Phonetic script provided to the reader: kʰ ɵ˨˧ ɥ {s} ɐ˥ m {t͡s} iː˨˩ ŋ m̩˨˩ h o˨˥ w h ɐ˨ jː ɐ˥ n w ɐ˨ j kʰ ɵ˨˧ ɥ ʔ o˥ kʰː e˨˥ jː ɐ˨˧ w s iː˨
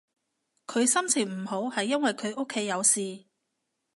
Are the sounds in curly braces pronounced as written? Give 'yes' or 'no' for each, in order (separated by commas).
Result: yes, no